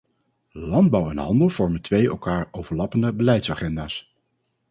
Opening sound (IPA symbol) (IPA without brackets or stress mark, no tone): l